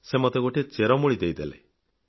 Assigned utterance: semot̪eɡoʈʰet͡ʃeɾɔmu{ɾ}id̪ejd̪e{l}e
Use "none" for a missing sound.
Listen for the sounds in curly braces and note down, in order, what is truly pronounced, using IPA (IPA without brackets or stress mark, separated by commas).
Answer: ɭ, l